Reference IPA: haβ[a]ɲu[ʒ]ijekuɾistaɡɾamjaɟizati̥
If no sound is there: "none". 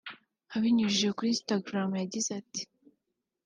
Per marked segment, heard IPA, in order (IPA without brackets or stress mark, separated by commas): i, ʒ